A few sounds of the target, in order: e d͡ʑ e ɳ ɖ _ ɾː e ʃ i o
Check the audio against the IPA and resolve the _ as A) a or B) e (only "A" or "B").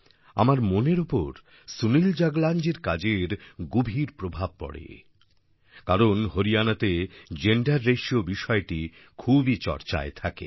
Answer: A